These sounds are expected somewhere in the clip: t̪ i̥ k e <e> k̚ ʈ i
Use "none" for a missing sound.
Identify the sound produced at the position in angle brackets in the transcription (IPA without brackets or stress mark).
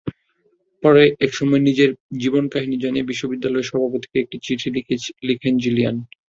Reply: e